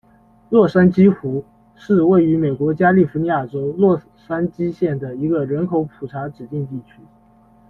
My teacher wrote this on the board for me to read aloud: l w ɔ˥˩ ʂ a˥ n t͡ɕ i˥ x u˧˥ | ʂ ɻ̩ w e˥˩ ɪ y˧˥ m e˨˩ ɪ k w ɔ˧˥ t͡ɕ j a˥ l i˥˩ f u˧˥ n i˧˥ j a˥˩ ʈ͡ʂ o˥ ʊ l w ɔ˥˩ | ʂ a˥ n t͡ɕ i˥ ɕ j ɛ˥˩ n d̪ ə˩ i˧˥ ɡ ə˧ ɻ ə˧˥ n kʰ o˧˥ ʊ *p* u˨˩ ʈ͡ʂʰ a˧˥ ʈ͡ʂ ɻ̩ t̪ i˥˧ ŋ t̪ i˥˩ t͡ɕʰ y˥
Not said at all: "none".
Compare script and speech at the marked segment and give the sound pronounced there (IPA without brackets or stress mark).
pʰ